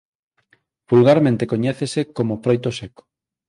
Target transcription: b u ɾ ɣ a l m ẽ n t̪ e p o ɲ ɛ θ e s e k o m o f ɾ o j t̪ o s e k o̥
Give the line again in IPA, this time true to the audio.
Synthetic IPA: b u l ɣ a ɾ m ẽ n t̪ e k o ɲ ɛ θ e s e k o m o f ɾ o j t̪ o s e k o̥